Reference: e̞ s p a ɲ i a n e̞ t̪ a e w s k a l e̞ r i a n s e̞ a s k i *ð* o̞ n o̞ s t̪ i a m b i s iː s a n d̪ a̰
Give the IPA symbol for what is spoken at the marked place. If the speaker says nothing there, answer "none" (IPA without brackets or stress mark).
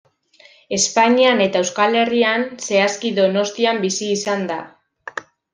ð